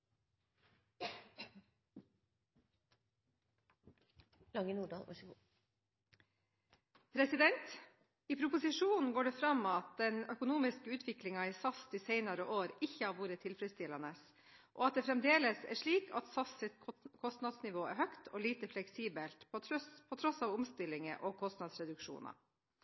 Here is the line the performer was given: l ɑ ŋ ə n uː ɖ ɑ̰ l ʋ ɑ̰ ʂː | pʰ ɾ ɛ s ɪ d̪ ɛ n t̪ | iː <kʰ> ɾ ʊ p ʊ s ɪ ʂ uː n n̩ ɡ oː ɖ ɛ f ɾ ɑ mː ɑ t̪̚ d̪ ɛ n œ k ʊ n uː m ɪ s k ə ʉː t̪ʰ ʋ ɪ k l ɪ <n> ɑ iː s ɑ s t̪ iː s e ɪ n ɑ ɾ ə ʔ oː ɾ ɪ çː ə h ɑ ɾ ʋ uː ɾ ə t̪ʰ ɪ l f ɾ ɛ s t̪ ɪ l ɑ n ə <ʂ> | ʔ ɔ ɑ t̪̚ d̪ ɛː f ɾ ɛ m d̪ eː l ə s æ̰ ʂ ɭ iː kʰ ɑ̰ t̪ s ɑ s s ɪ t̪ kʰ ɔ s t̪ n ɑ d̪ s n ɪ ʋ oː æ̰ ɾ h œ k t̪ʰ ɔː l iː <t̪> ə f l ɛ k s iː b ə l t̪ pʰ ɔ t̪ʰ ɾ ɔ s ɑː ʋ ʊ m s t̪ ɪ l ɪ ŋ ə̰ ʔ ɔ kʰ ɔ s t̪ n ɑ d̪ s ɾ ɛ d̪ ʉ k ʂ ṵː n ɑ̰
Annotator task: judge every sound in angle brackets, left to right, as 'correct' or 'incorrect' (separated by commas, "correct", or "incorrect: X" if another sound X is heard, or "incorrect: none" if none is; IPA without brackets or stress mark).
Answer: incorrect: pʰ, incorrect: ŋ, incorrect: s, correct